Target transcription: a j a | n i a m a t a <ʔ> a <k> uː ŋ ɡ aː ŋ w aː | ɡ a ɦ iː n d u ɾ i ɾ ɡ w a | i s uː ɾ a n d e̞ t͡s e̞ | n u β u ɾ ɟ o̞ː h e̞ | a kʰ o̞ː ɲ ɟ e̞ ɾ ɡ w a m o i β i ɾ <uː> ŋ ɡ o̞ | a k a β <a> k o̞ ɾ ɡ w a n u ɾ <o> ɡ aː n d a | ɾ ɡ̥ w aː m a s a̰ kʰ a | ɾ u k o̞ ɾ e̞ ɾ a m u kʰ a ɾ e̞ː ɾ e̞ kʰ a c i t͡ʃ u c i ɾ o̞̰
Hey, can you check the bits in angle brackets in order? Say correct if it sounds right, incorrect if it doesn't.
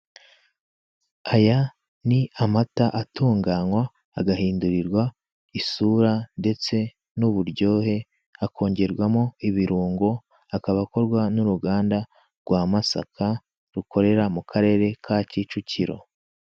correct, incorrect, correct, correct, incorrect

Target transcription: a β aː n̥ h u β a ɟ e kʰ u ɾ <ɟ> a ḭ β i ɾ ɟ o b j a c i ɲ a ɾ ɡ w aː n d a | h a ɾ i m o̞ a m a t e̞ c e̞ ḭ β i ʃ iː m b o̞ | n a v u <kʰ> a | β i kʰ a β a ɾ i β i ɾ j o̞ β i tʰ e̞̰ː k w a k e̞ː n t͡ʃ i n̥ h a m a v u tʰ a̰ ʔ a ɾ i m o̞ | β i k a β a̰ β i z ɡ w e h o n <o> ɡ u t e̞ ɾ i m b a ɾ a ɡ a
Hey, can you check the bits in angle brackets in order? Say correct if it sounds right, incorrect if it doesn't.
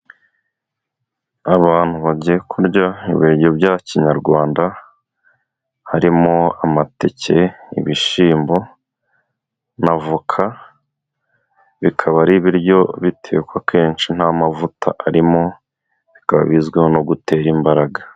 correct, correct, correct

